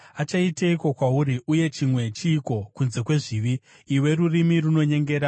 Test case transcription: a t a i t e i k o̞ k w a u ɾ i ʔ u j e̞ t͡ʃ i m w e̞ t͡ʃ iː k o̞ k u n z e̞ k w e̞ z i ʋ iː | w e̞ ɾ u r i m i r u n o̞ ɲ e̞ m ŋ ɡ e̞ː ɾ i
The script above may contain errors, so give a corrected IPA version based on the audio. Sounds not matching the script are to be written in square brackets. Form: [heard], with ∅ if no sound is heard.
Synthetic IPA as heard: a [t͡ʃ] a i t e i k o̞ k w a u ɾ i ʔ u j e̞ t͡ʃ i m w e̞ t͡ʃ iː k o̞ k u n z e̞ k w e̞ [ʐ] i ʋ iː | w e̞ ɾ u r i m i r u n o̞ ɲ e̞ [∅] ŋ ɡ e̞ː ɾ [a]